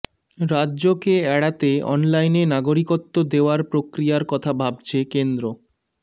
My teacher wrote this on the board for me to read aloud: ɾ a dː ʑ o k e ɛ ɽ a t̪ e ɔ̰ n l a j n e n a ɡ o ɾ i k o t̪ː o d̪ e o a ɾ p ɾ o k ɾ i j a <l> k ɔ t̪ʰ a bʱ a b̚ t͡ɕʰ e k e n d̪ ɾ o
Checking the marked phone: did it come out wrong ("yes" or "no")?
yes